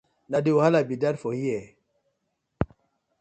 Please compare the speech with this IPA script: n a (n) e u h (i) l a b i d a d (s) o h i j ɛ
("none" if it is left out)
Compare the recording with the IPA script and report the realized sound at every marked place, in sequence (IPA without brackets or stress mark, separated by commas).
d, a, f